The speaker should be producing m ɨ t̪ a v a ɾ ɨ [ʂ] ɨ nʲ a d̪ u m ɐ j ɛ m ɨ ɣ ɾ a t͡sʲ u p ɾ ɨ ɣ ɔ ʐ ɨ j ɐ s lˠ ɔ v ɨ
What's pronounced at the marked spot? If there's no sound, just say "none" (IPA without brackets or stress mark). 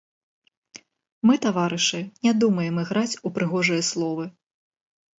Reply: ʂ